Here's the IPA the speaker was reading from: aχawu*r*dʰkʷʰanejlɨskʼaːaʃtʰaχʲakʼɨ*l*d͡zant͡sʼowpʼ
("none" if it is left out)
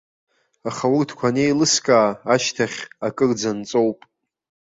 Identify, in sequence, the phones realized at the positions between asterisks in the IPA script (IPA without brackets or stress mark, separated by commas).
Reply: r, r